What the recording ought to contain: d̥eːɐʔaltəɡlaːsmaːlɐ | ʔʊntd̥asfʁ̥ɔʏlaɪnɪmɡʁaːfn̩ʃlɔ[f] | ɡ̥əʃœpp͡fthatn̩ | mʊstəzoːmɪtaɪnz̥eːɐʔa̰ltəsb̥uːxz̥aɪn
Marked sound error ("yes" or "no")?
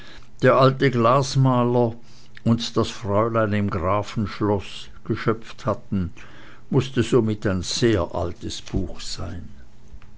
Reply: yes